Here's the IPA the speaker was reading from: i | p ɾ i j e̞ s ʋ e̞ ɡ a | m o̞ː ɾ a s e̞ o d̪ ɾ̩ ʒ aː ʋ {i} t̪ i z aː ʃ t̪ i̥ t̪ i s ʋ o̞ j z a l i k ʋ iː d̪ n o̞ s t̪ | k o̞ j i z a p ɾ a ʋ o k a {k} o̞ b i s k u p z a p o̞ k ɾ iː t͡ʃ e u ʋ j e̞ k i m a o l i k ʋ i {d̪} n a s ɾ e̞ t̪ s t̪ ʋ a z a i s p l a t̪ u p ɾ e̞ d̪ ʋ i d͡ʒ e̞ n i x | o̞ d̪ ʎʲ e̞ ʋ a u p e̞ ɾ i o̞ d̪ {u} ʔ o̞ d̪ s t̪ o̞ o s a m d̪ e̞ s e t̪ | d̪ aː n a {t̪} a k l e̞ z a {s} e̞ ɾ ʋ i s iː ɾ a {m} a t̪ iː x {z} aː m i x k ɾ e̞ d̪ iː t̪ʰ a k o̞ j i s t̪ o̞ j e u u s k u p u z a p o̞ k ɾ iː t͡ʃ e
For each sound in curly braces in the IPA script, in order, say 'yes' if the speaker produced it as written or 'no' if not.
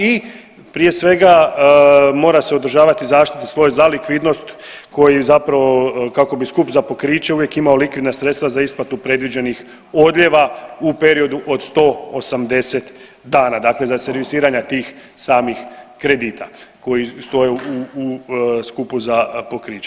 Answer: no, yes, yes, yes, no, yes, no, no

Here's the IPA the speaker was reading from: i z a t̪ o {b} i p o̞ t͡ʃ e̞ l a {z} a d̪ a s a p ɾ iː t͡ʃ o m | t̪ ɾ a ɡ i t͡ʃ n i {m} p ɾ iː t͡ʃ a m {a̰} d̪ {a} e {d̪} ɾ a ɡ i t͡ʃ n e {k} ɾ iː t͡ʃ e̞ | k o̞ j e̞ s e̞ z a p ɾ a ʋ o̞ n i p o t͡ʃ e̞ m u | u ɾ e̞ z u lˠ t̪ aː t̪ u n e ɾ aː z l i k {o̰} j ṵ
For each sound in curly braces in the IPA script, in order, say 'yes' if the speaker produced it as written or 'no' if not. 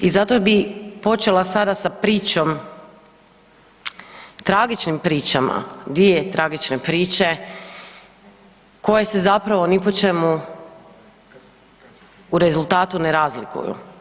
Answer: yes, no, yes, yes, no, no, no, no

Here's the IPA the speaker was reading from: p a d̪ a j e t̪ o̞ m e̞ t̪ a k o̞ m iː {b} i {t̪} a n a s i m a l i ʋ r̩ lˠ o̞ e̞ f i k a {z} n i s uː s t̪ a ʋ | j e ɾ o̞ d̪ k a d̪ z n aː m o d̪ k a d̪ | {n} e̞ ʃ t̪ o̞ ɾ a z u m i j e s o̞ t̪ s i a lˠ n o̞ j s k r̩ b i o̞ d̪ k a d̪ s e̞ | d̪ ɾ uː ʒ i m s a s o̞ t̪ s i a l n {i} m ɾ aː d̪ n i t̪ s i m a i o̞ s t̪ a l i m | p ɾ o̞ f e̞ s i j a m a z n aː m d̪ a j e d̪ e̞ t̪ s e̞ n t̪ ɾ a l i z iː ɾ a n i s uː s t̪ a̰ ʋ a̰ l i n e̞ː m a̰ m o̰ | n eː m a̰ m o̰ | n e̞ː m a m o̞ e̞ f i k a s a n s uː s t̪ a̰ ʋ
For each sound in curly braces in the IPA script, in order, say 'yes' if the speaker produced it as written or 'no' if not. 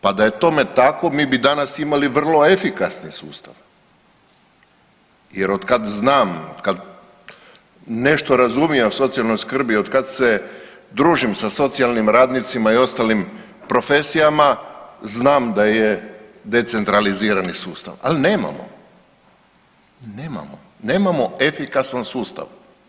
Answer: yes, no, no, yes, yes

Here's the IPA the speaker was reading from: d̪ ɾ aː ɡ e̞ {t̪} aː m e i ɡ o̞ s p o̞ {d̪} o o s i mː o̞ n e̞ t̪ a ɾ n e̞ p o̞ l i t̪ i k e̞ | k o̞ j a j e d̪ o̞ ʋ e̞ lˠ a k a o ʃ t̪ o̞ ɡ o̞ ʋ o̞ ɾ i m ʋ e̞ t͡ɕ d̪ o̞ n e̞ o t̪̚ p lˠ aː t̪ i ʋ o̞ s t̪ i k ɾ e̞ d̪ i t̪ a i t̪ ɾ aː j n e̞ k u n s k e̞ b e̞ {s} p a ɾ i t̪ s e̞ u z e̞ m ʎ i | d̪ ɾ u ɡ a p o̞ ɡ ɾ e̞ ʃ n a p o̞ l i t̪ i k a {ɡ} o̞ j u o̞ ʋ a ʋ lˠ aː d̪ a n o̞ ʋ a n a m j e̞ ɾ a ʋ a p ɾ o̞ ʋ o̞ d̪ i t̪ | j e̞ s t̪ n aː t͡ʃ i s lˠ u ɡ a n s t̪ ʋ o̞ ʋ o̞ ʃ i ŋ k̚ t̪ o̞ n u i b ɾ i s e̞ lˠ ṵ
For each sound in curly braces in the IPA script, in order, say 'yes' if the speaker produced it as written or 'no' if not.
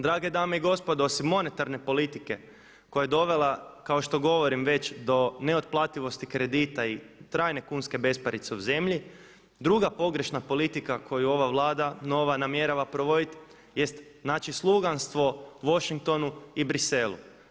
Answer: no, yes, yes, no

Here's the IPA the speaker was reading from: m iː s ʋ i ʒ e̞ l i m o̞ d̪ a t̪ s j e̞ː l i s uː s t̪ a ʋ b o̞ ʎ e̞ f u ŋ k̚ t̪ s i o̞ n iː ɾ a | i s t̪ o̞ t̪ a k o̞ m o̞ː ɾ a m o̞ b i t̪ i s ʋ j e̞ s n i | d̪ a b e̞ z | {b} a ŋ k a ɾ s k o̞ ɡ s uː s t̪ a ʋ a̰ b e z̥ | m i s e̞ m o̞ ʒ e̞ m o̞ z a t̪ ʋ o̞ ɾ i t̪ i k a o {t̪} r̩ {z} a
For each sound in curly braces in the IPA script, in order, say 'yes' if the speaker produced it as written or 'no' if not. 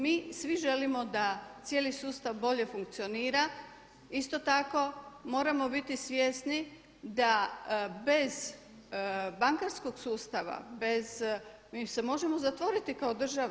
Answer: yes, no, no

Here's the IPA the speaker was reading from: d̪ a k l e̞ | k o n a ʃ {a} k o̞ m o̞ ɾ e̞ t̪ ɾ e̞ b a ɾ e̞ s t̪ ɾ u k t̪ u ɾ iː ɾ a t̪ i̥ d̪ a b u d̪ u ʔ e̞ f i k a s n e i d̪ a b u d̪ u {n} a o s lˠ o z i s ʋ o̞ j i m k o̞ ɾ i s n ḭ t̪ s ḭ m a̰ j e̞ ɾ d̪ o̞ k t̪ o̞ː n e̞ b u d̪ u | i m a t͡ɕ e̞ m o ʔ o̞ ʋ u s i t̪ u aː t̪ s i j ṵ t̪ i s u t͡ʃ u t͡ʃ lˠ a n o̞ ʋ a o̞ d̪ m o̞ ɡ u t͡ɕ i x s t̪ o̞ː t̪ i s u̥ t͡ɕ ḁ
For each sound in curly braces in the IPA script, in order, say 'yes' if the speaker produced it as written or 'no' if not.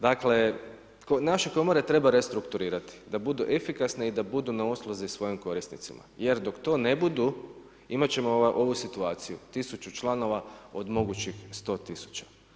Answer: no, yes

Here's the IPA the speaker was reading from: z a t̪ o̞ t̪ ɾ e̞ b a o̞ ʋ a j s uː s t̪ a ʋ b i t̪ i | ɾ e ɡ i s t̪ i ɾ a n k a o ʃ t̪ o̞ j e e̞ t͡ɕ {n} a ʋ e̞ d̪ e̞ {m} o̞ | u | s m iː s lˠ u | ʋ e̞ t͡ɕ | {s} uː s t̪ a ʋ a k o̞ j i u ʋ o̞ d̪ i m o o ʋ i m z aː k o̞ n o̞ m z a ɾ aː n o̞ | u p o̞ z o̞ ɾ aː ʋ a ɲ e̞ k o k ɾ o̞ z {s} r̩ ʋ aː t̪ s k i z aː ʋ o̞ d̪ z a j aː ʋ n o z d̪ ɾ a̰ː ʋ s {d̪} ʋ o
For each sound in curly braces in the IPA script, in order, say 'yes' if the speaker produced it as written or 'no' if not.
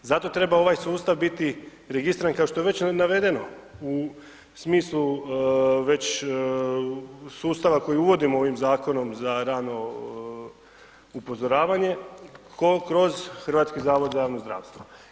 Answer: yes, no, yes, no, no

